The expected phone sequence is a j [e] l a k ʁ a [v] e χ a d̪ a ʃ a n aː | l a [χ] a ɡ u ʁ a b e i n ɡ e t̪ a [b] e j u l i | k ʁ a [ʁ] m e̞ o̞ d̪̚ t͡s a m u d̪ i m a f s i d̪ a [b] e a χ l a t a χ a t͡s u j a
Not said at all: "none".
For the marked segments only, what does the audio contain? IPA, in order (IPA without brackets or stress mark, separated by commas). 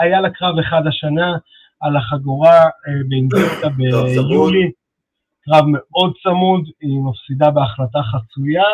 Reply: a, v, χ, b, v, b